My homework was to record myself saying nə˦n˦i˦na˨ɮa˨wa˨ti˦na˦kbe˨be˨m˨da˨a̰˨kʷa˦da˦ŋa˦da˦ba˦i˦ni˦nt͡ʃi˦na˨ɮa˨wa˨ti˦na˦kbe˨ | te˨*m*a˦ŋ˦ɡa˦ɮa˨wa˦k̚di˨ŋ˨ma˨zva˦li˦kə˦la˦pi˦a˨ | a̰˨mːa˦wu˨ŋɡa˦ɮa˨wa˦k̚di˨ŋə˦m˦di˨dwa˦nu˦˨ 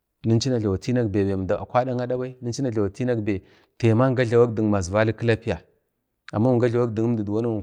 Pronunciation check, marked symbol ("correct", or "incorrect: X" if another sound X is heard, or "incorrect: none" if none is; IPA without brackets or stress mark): correct